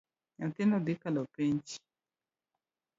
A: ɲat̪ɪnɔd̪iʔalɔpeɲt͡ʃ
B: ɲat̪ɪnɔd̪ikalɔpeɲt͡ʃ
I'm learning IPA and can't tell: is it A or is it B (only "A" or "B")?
B